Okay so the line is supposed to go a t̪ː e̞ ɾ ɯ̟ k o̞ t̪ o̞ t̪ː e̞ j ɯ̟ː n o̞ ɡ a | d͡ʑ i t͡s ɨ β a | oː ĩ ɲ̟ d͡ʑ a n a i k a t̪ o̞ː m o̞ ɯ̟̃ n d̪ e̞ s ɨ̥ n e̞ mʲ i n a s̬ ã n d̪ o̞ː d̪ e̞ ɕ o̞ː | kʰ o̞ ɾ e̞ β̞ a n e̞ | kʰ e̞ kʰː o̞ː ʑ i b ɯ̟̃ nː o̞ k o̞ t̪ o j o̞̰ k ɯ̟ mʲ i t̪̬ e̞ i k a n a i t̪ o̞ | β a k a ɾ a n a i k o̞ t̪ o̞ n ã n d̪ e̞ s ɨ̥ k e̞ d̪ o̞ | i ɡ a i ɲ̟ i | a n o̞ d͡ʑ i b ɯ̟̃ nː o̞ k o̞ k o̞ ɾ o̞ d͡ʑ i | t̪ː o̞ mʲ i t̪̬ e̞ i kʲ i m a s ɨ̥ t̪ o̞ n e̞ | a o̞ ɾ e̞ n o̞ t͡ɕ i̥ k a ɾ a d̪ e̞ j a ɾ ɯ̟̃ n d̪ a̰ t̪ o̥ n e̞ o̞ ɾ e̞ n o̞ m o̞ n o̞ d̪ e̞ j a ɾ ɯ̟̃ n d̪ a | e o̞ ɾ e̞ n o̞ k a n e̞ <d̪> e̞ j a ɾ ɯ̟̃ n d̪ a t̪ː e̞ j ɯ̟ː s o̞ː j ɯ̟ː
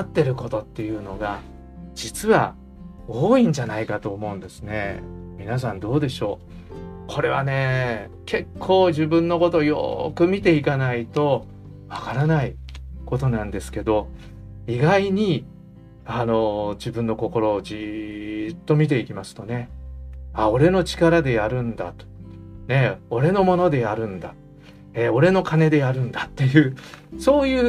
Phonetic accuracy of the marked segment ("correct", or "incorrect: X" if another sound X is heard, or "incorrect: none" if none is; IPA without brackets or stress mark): correct